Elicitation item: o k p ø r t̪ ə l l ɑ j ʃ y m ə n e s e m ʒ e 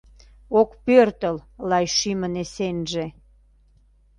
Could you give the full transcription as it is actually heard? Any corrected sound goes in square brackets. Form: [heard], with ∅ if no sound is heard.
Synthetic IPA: o k p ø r t̪ ə l l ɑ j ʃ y m ə n e s e [n] ʒ e